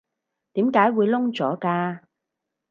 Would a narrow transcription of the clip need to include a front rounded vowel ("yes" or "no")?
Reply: no